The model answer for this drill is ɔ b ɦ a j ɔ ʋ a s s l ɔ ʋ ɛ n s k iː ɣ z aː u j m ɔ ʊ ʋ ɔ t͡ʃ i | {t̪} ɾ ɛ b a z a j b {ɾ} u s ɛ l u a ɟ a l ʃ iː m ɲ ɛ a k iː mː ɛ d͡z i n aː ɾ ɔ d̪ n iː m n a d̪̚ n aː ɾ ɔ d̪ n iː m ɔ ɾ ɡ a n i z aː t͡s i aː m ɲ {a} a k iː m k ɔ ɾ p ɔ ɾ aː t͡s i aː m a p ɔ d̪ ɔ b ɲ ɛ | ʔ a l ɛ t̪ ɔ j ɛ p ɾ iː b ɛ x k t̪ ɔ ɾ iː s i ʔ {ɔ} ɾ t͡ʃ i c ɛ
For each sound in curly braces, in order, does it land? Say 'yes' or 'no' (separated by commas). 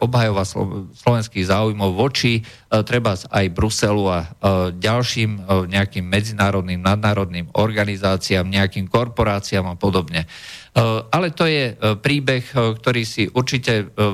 yes, yes, no, no